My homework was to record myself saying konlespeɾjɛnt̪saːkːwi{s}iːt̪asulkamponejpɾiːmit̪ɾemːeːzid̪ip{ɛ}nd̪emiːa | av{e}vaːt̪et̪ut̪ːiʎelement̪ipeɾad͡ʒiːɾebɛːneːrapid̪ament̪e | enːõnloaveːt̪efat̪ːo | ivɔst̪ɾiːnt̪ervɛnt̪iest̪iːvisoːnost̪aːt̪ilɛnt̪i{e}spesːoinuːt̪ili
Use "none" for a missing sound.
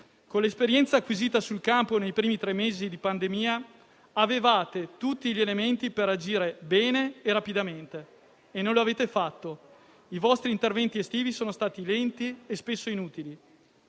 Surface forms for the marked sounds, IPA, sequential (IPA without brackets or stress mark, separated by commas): z, a, e, e